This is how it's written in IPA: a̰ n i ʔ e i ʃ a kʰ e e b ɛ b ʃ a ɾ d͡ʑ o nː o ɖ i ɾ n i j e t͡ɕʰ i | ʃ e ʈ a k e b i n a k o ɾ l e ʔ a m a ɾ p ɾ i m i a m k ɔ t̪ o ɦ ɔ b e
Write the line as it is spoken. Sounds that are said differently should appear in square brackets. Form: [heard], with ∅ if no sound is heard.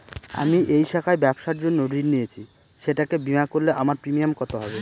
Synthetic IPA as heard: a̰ [m] i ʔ e [j] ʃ a kʰ [a] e b ɛ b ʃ a ɾ d͡ʑ o nː o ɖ i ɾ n i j e t͡ɕʰ i | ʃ e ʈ a k e b i [m] a k o ɾ l e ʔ a m a ɾ p ɾ i m i a m k ɔ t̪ o ɦ ɔ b e